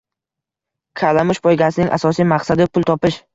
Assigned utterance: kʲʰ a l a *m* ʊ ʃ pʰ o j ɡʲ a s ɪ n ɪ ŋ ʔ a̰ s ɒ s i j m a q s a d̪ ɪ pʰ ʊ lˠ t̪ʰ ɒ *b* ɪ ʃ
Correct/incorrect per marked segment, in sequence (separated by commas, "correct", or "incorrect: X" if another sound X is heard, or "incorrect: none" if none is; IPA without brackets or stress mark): correct, incorrect: p